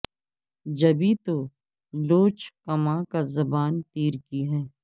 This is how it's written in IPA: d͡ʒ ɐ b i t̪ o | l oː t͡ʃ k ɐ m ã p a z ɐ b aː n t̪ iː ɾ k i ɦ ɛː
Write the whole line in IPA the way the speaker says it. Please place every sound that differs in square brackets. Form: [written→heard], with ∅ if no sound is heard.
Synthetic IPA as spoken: d͡ʒ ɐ b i t̪ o | l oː t͡ʃ k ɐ m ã [p→k] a z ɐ b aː n t̪ iː ɾ k i ɦ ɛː